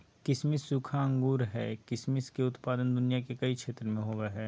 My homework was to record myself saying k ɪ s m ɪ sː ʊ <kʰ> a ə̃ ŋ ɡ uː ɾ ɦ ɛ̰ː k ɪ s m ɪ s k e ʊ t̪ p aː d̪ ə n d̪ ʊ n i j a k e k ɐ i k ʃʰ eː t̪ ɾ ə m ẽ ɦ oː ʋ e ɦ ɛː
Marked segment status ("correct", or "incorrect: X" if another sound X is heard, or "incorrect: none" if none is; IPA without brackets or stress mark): correct